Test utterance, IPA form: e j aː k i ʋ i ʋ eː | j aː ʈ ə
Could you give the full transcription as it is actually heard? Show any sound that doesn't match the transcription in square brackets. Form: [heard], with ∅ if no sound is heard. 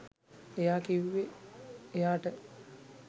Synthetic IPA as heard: e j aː k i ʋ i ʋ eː | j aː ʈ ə